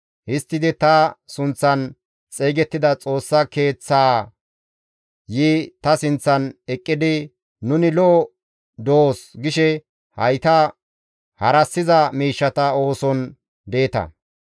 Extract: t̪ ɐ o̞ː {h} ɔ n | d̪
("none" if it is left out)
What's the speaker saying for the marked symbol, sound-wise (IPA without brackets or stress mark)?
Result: s